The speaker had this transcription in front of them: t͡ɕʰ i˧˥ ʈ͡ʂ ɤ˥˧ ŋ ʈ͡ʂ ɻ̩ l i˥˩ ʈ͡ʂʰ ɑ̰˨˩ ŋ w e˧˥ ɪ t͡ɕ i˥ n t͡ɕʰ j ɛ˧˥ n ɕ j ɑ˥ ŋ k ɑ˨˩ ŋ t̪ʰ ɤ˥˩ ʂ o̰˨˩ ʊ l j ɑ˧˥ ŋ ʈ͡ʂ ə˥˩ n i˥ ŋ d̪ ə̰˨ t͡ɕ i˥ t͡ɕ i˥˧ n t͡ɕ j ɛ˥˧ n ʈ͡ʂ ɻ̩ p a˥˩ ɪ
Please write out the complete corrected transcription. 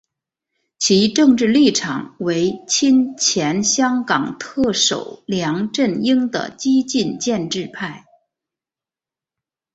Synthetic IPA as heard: t͡ɕʰ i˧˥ ʈ͡ʂ ɤ˥˧ ŋ ʈ͡ʂ ɻ̩ l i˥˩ ʈ͡ʂʰ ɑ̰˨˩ ŋ w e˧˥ ɪ t͡ɕʰ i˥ n t͡ɕʰ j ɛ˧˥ n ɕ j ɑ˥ ŋ k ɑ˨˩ ŋ t̪ʰ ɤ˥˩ ʂ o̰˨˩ ʊ l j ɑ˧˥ ŋ ʈ͡ʂ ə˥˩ n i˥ ŋ d̪ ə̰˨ t͡ɕ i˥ t͡ɕ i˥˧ n t͡ɕ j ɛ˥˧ n ʈ͡ʂ ɻ̩ pʰ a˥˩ ɪ